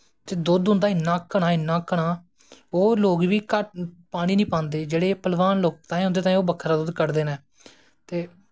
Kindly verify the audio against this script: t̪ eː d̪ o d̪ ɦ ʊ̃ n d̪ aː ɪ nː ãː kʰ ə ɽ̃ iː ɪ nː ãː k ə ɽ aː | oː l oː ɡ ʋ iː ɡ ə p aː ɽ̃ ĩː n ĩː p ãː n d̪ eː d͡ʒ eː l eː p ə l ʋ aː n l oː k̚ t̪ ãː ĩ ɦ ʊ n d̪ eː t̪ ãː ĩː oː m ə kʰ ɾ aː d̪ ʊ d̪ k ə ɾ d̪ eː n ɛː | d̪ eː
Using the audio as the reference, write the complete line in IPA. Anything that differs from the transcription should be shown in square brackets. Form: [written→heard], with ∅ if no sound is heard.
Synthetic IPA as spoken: t̪ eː d̪ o d̪ ɦ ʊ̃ n d̪ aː ɪ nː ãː [kʰ→k] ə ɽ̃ [iː→aː] ɪ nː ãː k ə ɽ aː | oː l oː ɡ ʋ iː [ɡ→k] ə p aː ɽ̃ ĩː n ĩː p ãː n d̪ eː d͡ʒ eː [l→ɽ] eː p ə l ʋ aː n l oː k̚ t̪ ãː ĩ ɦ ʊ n d̪ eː t̪ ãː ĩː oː [m→b] ə kʰ ɾ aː d̪ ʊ d̪ k ə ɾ d̪ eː n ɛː | [d̪→t̪] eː